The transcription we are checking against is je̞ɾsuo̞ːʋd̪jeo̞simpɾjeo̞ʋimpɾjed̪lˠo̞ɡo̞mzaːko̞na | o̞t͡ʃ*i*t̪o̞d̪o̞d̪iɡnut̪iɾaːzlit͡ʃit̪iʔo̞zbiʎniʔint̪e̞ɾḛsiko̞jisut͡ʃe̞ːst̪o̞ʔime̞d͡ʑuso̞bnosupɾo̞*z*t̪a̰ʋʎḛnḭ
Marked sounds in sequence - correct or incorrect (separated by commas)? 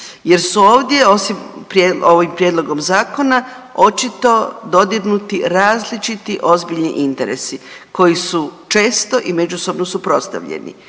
correct, incorrect